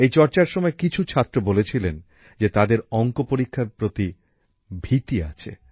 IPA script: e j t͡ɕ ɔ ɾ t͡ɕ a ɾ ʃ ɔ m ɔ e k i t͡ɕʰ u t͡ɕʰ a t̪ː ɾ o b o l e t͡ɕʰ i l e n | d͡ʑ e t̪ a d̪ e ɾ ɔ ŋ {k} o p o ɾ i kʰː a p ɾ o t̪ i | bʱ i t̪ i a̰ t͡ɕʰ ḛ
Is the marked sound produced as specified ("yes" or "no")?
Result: yes